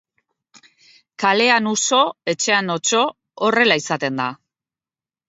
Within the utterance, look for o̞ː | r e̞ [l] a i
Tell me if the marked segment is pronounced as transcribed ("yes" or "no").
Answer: yes